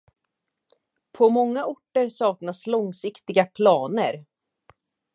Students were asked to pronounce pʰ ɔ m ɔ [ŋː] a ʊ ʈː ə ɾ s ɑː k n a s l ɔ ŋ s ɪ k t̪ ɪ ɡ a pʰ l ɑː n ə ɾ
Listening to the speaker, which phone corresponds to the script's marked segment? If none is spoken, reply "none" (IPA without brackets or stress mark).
ŋː